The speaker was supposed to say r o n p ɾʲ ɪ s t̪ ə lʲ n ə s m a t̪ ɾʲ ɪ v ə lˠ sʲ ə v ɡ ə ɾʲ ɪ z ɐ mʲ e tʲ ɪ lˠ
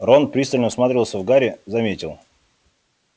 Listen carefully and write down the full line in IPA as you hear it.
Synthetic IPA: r o n p ɾʲ i s t̪ ə lʲ n ə s m a t̪ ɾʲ ɪ v ə lˠ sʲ ə v ɡ a ɾʲ ɪ z ɐ mʲ e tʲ ɪ lˠ